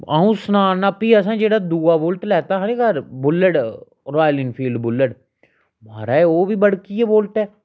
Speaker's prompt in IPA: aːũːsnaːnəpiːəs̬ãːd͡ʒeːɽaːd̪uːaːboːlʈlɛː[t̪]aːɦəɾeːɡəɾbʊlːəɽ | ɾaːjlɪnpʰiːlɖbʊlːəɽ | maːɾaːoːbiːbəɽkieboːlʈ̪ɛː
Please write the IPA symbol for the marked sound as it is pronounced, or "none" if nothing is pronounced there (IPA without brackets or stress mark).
t̪